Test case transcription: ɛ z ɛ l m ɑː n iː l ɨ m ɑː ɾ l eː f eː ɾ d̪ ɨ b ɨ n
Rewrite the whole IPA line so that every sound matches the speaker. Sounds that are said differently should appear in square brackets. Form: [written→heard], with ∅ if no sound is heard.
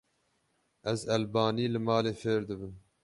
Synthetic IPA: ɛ z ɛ l [m→b] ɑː n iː l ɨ m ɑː [ɾ→∅] l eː f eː ɾ d̪ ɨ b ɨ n